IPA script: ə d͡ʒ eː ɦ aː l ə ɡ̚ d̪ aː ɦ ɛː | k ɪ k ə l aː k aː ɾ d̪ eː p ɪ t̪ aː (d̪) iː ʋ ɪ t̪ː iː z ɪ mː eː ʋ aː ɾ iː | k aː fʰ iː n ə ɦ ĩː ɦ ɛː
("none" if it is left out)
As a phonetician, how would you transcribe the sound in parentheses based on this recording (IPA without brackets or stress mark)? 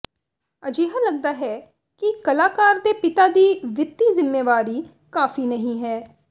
d̪